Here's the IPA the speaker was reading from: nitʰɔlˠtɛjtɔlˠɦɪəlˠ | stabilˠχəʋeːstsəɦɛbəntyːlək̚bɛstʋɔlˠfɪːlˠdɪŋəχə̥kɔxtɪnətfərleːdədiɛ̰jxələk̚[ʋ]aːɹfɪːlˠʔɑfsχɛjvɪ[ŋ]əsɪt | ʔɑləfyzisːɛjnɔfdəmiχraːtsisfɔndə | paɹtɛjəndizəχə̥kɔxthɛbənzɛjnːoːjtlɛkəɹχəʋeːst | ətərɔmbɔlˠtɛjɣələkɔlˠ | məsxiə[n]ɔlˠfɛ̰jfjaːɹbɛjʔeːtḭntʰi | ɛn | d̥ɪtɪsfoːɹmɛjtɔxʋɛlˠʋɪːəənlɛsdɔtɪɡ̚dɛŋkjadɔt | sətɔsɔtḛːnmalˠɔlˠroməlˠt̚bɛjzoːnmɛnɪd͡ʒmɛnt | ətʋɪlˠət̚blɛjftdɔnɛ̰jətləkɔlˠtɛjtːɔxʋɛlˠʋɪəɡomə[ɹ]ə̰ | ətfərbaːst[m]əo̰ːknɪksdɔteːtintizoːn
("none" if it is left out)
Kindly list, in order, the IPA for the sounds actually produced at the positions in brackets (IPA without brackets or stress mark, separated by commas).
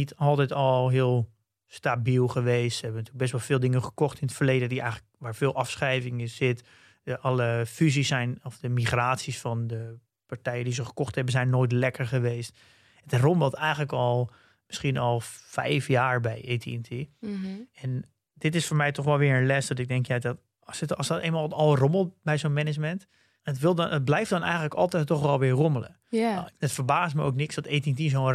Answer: ʋ, ŋ, n, l, m